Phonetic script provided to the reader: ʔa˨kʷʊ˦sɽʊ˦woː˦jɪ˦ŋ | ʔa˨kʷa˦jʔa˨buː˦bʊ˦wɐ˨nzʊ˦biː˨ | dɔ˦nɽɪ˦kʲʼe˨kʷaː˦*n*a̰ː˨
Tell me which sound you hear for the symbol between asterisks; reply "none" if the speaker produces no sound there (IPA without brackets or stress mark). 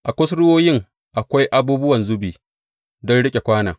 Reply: n